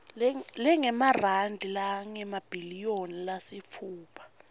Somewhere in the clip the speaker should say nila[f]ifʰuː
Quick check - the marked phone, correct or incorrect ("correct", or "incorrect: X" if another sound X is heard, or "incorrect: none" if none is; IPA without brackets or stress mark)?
incorrect: s